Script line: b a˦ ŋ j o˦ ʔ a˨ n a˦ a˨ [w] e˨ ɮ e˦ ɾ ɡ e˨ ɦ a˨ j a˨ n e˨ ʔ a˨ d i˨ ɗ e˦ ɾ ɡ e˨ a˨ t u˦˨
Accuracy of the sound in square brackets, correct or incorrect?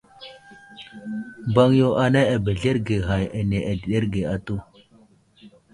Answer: incorrect